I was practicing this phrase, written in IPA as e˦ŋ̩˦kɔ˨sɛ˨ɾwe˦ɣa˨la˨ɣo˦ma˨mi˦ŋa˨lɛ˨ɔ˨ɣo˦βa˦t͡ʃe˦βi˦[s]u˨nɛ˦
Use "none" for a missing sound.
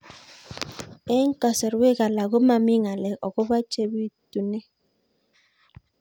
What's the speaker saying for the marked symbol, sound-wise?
t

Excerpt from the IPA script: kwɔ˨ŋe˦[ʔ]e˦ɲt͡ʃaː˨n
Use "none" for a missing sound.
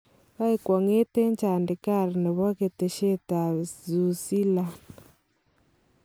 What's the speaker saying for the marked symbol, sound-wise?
t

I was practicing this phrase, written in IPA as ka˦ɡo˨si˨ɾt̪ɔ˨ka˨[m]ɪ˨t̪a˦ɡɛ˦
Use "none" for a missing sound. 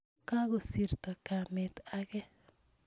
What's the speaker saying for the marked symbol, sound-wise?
m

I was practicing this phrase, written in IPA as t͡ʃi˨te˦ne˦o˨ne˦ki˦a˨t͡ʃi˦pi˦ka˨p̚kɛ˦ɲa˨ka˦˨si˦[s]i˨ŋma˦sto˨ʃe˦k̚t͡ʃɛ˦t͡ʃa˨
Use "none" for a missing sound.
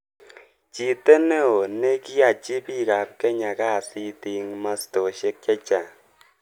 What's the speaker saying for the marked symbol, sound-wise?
t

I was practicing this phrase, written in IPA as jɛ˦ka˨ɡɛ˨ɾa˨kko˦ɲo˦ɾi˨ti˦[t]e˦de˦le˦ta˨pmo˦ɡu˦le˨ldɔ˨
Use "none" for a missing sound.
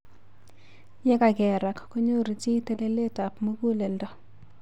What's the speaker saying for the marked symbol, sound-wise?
t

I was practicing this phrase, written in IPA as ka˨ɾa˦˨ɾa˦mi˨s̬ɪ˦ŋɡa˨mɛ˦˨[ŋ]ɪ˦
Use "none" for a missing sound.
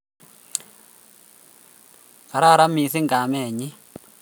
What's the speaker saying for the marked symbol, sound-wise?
ɲ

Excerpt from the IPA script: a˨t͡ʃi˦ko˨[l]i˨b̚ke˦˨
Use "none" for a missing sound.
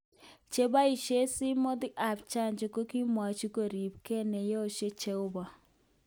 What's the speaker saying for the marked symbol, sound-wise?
ɾ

